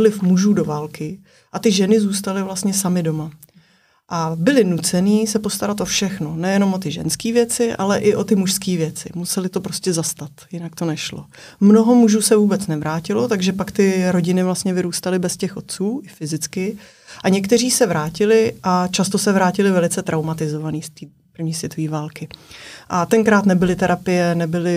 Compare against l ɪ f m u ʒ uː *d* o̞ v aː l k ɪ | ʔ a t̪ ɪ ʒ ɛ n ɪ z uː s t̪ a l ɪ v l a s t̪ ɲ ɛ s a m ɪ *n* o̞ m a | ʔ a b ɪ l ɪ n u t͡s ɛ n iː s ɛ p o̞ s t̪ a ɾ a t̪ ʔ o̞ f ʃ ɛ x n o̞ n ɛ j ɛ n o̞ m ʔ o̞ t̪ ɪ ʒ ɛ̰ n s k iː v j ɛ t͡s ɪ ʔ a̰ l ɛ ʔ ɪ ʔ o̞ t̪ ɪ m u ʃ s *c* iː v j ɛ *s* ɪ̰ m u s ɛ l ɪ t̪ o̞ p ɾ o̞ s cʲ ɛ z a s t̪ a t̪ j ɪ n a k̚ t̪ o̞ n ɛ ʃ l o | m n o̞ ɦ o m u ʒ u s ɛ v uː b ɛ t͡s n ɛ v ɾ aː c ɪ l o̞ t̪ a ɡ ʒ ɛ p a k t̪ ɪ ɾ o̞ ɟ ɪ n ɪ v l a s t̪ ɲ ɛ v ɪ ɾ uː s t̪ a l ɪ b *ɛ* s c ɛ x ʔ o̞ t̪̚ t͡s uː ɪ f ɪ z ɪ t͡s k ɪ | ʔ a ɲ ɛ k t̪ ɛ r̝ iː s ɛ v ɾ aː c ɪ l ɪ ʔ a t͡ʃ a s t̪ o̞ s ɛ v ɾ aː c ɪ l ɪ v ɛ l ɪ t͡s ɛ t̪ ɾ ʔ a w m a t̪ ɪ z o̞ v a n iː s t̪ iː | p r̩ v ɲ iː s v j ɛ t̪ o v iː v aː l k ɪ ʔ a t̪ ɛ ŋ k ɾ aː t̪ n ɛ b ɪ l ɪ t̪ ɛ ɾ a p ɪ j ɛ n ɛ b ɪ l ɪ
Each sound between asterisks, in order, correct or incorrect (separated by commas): correct, incorrect, incorrect, incorrect, correct